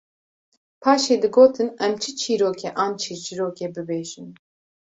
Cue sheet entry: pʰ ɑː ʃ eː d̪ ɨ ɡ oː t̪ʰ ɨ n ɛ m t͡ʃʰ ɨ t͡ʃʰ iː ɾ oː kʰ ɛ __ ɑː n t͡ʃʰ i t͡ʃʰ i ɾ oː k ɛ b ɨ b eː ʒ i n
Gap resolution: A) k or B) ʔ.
B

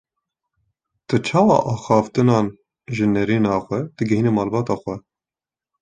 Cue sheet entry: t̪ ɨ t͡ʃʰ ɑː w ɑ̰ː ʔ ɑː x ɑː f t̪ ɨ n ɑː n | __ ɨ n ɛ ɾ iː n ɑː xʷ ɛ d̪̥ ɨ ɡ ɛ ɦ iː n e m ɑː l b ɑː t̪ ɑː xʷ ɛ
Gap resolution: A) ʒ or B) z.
A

